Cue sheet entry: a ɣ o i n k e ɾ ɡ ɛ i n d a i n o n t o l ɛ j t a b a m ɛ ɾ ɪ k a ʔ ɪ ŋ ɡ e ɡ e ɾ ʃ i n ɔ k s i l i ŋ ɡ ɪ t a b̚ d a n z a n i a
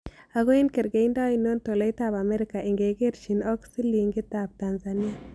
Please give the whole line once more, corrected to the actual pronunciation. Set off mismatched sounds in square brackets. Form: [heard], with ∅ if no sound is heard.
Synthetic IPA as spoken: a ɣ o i n k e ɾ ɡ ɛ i n d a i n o n t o l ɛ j t a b a m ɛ ɾ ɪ k a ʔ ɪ ŋ ɡ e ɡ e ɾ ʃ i n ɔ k s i l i ŋ ɡ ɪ t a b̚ [t] a n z a n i a